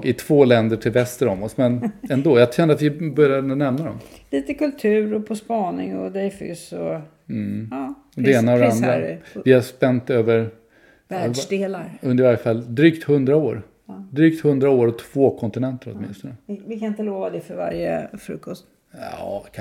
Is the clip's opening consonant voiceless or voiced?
voiceless